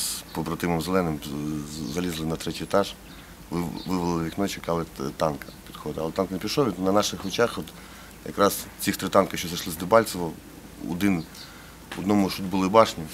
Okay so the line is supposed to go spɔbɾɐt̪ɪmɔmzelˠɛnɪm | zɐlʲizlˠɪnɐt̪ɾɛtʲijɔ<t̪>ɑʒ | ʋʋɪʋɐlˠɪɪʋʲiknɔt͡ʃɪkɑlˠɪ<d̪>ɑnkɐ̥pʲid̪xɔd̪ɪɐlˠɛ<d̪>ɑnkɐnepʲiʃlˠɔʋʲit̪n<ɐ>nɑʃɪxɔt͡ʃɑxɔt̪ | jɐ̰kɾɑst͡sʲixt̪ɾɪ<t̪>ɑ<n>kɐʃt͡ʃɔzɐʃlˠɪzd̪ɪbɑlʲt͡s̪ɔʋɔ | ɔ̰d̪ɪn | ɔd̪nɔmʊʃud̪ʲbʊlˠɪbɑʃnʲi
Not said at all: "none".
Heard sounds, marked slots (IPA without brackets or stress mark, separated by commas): t̪, t̪, t̪, ɐ, t̪, n